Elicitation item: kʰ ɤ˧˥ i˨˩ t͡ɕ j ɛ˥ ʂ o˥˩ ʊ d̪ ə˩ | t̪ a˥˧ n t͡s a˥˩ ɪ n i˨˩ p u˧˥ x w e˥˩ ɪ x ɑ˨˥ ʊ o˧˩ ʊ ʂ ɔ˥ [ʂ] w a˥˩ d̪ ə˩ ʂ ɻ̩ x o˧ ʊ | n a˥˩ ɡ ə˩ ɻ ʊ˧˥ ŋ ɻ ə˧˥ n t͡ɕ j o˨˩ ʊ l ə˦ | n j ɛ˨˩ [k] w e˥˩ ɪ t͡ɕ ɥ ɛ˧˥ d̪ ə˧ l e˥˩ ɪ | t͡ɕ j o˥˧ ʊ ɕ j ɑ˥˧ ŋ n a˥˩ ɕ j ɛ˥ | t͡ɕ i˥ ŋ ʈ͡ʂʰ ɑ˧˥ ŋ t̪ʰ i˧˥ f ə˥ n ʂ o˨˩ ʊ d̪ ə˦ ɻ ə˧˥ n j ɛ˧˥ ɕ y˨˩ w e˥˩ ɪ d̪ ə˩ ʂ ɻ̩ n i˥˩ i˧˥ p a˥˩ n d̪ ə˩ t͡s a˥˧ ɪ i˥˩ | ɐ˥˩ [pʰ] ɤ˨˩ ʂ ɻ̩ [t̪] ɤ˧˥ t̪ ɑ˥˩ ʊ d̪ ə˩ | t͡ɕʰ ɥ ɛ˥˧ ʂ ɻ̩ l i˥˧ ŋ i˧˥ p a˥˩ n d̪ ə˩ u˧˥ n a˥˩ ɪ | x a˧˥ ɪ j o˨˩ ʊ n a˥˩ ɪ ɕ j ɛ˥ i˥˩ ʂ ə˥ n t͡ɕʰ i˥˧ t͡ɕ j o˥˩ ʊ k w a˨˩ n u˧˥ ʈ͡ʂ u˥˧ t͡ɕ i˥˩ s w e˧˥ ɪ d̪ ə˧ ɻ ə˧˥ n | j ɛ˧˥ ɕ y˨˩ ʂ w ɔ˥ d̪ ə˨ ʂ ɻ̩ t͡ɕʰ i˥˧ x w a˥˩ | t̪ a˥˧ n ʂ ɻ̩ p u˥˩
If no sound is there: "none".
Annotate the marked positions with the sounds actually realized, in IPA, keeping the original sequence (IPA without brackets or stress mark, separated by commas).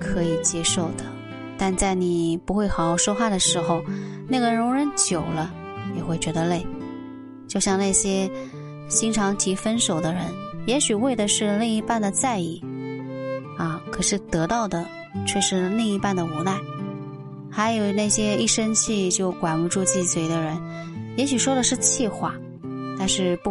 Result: x, x, kʰ, t̪